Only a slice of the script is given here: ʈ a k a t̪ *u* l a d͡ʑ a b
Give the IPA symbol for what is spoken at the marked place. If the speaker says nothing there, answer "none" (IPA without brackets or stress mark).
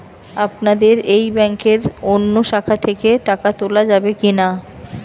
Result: o